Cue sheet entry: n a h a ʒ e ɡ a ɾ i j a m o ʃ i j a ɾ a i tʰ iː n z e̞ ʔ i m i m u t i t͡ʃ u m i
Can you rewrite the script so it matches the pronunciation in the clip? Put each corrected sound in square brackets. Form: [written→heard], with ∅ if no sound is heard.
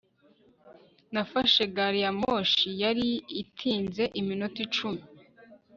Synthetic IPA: n a [h→f] a [ʒ→ʃ] e ɡ a ɾ i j a m o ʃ i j a ɾ [a→i] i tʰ iː n z e̞ ʔ i m i [m→n] u t i t͡ʃ u m i